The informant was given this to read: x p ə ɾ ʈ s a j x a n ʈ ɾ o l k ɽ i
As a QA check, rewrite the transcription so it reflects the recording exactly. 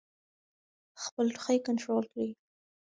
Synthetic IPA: x p ə l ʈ x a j k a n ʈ ɾ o l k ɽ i